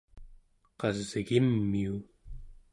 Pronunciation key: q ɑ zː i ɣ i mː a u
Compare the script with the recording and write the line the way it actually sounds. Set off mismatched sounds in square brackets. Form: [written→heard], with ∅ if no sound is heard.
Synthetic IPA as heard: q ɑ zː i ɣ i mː [a→i] u

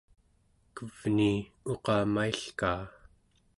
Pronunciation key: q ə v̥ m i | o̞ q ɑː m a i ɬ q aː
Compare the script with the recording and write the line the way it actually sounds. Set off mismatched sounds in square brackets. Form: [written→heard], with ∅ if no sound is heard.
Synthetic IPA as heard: [q→k] ə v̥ [m→n] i | o̞ q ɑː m a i ɬ [q→k] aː

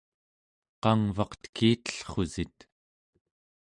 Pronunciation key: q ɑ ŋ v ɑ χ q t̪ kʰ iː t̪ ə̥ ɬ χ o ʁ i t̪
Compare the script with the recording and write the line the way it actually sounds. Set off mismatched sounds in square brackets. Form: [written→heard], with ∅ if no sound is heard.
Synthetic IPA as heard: q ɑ ŋ v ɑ [χ→∅] q t̪ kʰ iː t̪ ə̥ ɬ χ o [ʁ→z] i t̪

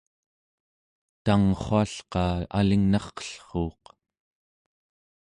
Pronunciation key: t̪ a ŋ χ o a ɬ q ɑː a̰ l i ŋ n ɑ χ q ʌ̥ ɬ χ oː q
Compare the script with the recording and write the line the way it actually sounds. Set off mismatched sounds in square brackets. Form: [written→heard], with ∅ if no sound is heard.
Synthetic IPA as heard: t̪ a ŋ χ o a ɬ q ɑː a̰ l i ŋ n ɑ χ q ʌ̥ ɬ χ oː q

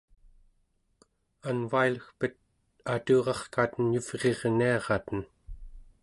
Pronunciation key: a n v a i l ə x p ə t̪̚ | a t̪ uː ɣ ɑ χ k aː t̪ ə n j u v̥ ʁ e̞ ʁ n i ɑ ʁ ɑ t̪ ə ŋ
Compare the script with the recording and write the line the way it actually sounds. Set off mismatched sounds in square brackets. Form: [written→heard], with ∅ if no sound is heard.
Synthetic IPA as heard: a n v a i l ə x p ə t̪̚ | a t̪ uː [ɣ→ʁ] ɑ χ k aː t̪ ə n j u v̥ ʁ e̞ ʁ n i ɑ ʁ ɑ t̪ ə [ŋ→n]

